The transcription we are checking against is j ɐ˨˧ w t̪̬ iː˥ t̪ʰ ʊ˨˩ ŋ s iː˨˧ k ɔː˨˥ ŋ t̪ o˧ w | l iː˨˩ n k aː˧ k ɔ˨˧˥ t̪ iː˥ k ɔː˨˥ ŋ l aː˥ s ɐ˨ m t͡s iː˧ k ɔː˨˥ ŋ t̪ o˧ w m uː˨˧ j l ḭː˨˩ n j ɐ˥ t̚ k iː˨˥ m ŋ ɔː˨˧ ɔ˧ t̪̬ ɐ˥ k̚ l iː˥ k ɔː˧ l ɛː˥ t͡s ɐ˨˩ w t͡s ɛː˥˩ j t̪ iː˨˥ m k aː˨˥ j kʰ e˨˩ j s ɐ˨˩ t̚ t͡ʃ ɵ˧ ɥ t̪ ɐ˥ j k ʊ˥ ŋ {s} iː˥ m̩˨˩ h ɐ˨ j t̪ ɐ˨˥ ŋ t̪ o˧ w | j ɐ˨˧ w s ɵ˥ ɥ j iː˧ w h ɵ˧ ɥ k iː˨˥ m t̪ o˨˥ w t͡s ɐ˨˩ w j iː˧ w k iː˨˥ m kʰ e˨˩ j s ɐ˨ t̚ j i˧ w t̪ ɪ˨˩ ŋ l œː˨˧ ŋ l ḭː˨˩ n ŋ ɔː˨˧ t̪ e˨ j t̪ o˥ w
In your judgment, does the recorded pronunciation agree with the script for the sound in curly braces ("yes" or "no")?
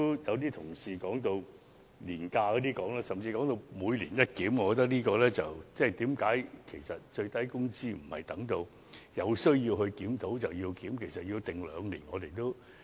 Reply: no